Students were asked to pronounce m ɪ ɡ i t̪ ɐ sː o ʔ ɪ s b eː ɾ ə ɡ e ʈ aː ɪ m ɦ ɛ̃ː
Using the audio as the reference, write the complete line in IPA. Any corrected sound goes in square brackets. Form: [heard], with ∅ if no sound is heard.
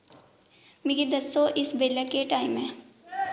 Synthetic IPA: m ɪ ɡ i [d̪] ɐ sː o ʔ ɪ s b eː [l] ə [k] e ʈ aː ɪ m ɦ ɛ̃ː

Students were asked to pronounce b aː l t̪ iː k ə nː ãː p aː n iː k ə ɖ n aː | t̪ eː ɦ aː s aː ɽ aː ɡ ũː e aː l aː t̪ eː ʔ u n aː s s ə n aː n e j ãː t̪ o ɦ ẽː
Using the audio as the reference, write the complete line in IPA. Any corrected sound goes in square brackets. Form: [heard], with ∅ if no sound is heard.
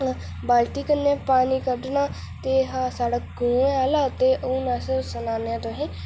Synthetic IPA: b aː l t̪ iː k ə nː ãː p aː n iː k ə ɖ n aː | t̪ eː ɦ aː s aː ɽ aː ɡ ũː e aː l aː t̪ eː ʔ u n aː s s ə n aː n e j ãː t̪ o ɦ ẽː

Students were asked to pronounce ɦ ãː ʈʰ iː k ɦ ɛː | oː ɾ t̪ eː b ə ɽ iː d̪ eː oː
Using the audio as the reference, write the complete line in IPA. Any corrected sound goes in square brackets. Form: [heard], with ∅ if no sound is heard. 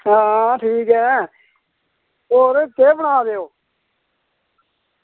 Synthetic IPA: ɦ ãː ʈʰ iː k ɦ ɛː | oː ɾ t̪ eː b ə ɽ [aː] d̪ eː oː

